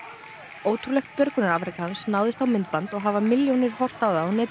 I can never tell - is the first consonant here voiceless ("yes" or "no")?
no